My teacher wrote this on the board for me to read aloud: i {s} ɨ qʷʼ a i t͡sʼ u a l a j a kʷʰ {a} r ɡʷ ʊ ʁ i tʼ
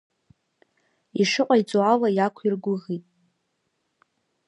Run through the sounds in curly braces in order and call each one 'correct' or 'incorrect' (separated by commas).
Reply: incorrect, incorrect